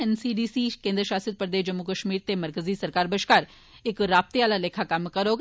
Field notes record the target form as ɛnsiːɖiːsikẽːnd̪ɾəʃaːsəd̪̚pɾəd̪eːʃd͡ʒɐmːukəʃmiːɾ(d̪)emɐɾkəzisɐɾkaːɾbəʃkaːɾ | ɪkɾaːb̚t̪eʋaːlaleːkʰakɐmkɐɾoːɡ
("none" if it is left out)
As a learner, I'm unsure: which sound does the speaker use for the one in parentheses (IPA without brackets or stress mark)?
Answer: t̪